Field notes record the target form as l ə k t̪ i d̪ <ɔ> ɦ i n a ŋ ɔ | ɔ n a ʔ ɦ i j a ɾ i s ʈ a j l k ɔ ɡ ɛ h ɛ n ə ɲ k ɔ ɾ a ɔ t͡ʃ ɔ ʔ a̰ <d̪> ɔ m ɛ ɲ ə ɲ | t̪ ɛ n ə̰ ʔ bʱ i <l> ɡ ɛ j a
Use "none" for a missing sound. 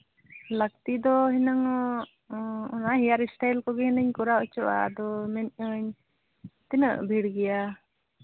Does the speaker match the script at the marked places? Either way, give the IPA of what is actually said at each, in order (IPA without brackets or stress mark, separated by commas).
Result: ɔ, d̪, ɽ